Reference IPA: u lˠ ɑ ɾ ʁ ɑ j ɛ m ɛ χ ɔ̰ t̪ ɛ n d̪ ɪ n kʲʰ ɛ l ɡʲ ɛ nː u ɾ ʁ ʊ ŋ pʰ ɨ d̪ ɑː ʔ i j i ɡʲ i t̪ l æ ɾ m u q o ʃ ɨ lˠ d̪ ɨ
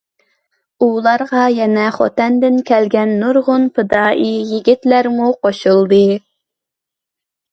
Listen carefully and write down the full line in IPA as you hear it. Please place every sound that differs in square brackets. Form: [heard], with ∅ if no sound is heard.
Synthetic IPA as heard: u lˠ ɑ ɾ ʁ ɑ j ɛ [n] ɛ χ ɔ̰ t̪ ɛ n d̪ ɪ n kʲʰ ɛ l ɡʲ ɛ nː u ɾ ʁ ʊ [n] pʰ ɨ d̪ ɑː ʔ i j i ɡʲ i t̪ l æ ɾ m u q o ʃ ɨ lˠ d̪ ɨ